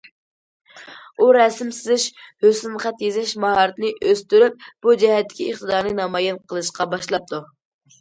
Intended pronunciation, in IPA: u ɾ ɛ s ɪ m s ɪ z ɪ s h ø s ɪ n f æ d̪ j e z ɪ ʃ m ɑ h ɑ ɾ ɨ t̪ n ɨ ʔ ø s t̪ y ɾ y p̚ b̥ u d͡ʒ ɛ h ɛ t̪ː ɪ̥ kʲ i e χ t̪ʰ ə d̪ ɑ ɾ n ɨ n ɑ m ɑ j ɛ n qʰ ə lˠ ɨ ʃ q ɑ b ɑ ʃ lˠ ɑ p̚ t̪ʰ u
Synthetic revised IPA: u ɾ ɛ s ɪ m s ɪ z ɪ ʃ h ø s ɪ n χ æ t̪ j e z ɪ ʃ m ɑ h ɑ ɾ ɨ t̪ n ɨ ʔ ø s t̪ y ɾ y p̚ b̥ u d͡ʒ ɛ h ɛ t̪ː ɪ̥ kʲ i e χ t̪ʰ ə d̪ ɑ ɾ n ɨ n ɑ m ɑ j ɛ n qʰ ə lˠ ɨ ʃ q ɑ b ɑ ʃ lˠ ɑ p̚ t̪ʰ u